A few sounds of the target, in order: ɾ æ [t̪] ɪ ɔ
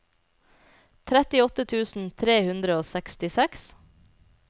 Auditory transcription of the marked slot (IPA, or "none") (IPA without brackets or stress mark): t̪